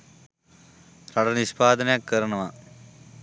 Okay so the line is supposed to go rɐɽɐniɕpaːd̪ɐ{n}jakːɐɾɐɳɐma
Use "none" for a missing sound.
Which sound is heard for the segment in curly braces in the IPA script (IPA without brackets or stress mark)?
n